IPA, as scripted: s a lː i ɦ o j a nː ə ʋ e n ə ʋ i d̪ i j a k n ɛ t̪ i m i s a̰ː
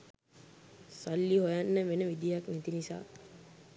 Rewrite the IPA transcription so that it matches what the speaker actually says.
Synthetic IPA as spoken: s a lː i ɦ o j a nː ə ʋ e n ə ʋ i d̪ i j a k n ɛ t̪ i n i s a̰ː